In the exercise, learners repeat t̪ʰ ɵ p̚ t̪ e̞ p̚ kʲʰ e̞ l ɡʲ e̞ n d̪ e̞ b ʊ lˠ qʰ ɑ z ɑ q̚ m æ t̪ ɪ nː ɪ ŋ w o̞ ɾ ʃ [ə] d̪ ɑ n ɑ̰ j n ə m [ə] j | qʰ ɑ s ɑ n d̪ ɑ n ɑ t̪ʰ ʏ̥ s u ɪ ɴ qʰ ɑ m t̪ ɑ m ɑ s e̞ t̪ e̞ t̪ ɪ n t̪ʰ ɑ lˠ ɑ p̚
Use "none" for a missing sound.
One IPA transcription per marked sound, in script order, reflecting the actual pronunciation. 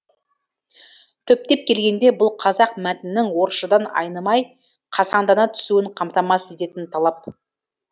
ə, ɑ

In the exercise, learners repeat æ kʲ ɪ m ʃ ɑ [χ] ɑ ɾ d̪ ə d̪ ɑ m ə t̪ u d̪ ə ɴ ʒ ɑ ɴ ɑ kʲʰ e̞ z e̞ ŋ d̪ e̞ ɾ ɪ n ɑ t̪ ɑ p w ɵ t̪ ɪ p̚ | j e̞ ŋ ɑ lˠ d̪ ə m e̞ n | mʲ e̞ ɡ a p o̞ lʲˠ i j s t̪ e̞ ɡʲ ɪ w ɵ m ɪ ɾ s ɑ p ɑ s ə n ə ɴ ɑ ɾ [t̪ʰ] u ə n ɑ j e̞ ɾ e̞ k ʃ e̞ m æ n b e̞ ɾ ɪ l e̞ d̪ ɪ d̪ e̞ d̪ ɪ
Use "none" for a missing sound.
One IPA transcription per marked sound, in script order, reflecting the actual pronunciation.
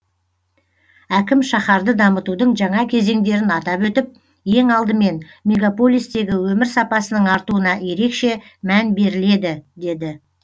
χ, t̪

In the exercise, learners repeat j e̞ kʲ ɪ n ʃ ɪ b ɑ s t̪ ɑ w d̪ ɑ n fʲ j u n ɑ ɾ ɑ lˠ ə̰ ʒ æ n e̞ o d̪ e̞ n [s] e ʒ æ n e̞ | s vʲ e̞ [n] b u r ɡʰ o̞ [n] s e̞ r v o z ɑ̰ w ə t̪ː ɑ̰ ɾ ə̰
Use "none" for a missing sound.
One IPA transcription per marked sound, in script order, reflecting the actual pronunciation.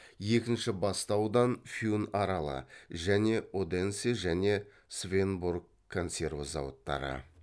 s, n, n

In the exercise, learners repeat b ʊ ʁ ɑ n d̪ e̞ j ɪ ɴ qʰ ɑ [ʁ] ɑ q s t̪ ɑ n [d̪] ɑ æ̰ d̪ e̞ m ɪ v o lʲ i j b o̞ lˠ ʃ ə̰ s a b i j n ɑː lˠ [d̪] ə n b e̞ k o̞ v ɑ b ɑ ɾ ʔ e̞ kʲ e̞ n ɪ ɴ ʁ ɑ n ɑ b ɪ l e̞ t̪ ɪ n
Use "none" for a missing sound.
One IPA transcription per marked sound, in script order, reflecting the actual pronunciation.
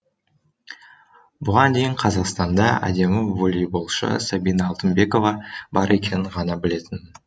z, d̪, t̪

